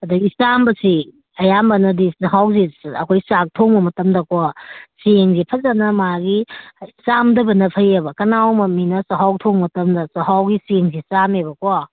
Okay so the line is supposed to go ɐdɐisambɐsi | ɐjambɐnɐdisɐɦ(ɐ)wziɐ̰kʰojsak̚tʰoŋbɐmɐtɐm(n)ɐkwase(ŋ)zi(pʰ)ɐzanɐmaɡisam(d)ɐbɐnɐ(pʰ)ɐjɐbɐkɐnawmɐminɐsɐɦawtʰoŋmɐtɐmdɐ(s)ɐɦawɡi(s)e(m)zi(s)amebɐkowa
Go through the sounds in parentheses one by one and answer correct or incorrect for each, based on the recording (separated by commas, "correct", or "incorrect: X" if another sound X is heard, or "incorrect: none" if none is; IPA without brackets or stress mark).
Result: incorrect: a, incorrect: d, correct, correct, correct, correct, correct, correct, incorrect: ŋ, correct